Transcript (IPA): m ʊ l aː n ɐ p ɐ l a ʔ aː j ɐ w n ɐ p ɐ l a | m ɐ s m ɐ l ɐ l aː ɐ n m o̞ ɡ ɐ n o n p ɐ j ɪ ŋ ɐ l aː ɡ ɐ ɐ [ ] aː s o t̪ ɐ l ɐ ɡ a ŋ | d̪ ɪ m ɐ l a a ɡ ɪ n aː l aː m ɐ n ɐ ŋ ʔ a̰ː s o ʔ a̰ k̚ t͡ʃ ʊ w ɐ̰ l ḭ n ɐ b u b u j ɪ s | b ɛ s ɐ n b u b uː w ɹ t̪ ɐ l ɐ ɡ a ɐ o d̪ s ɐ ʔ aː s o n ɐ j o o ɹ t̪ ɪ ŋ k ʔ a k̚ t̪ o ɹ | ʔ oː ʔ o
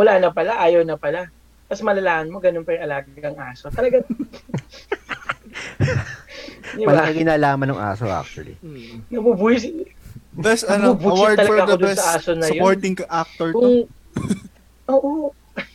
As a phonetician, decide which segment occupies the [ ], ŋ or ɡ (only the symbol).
ŋ